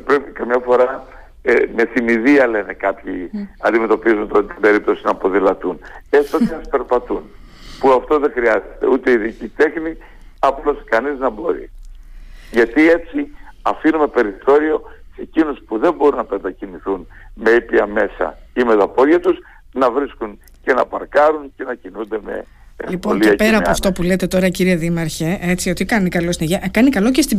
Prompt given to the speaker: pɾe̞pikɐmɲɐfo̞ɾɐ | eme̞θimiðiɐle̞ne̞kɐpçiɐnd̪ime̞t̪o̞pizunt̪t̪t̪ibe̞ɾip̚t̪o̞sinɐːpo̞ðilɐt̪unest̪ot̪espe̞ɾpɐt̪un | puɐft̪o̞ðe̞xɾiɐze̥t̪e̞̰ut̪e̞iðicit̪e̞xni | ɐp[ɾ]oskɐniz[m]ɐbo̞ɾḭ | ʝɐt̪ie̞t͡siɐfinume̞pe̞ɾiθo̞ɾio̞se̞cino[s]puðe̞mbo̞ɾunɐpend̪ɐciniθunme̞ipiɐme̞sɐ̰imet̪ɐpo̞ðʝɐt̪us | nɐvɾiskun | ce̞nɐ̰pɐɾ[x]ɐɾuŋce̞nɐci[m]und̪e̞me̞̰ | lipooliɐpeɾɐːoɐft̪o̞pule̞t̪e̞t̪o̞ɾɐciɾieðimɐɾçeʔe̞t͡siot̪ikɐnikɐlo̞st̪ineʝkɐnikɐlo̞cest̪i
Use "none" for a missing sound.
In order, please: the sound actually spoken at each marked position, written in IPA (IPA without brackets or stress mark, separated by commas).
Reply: l, n, s, k, n